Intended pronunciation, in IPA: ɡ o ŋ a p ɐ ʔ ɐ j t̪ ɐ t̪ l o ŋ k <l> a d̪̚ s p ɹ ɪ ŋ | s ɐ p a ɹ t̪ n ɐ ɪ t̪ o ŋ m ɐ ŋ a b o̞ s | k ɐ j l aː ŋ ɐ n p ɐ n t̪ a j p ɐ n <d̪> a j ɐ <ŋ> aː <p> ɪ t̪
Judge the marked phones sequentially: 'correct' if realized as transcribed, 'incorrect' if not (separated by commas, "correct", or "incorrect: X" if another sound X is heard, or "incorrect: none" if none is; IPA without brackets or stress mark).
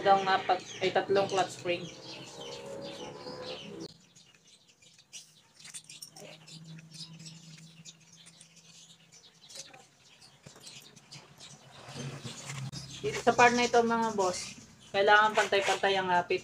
correct, incorrect: t̪, correct, correct